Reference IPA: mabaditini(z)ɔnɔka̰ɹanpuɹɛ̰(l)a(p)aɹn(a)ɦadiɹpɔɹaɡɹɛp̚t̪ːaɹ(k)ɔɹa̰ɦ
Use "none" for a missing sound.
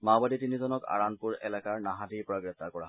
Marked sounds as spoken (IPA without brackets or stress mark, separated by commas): z, l, k, a, k